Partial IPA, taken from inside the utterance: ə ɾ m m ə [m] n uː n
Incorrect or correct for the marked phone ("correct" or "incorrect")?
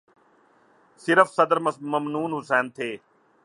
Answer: correct